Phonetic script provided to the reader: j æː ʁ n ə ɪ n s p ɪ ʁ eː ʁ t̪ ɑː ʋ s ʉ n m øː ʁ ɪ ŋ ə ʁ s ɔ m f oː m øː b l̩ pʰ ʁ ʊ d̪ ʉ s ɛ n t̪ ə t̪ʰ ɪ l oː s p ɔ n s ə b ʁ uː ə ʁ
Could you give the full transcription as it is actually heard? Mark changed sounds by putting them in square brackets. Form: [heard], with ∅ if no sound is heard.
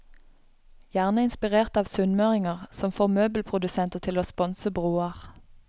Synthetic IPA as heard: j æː ʁ n ə ɪ n s p ɪ ʁ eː ʁ t̪ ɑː ʋ s ʉ n m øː ʁ ɪ ŋ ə ʁ s ɔ m f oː m øː b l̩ pʰ ʁ ʊ d̪ ʉ s ɛ n t̪ ə t̪ʰ ɪ l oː s p ɔ n s ə b ʁ uː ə ʁ